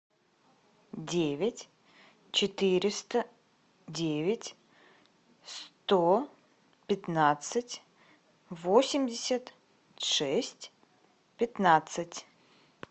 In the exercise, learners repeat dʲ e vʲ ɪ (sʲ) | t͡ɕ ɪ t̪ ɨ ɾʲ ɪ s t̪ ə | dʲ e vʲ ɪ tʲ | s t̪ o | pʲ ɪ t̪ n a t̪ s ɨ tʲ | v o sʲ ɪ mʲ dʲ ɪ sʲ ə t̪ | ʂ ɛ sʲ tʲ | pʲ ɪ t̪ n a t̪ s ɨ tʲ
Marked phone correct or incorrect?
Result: incorrect